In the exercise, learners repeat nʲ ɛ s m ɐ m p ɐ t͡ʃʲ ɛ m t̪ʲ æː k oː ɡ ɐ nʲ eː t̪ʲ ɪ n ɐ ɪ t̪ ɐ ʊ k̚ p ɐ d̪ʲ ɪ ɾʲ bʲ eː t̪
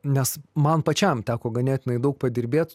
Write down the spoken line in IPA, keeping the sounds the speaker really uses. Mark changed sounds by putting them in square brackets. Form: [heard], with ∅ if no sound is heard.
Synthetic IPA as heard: nʲ ɛ s m ɐ [n] p ɐ t͡ʃʲ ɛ m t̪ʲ æː k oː ɡ ɐ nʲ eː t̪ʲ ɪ n ɐ ɪ [d̪] ɐ ʊ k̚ p ɐ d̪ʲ ɪ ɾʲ bʲ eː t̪